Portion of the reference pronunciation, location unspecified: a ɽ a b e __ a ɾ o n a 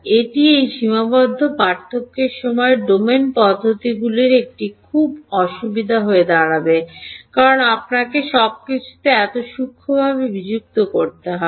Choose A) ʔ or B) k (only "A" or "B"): B